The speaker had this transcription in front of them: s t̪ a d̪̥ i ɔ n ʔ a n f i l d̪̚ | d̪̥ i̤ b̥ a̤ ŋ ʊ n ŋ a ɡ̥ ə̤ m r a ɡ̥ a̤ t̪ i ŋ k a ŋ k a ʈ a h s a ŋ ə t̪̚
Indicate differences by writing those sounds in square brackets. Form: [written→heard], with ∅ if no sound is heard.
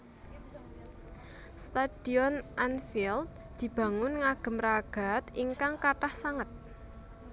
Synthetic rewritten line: s t̪ a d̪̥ i ɔ n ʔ a n f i l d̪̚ | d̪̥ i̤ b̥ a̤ ŋ ʊ n ŋ a ɡ̥ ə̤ m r a ɡ̥ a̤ t̪ i ŋ k a ŋ k a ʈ a h s a ŋ ə t̪̚